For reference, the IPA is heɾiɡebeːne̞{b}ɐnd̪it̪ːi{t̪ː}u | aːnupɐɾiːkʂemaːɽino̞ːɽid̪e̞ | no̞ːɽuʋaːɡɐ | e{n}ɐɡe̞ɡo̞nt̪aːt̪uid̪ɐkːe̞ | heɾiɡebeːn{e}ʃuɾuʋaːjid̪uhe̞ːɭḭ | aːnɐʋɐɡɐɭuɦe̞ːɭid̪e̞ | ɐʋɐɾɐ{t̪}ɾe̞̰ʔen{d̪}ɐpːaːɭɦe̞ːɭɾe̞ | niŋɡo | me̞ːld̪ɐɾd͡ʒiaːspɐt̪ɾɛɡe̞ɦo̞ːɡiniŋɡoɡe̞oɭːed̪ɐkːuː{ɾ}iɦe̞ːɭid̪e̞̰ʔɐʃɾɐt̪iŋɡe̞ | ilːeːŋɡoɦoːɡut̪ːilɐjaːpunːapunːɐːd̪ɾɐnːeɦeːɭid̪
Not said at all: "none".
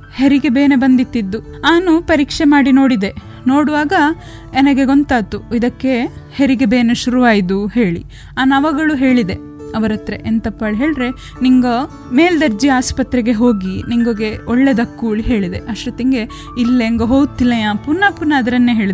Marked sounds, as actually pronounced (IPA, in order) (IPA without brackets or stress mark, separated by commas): b, d̪ː, n, e, t̪, t̪, ɭ